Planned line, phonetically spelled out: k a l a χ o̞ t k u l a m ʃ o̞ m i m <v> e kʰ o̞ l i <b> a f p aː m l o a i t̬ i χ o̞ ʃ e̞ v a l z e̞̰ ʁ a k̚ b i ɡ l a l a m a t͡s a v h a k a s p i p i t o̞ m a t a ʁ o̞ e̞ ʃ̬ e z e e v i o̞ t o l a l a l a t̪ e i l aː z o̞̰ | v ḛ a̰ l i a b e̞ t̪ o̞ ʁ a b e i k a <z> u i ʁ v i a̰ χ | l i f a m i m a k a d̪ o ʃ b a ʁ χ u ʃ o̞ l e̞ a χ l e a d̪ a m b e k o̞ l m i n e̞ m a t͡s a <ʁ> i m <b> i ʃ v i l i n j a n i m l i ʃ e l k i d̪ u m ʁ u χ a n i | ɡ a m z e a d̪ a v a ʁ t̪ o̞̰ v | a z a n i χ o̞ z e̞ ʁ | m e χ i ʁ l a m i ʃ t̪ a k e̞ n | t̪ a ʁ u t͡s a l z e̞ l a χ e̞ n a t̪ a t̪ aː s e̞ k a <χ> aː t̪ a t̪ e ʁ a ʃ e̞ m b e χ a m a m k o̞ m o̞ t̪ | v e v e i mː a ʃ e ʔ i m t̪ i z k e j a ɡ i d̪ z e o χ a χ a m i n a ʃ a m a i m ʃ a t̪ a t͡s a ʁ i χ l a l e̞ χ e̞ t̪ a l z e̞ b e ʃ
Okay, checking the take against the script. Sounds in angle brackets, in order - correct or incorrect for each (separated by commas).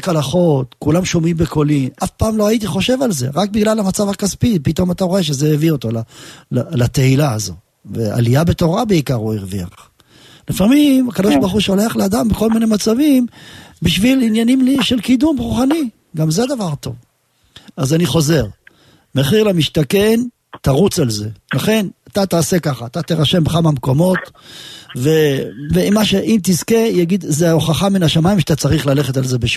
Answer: incorrect, incorrect, incorrect, incorrect, correct, correct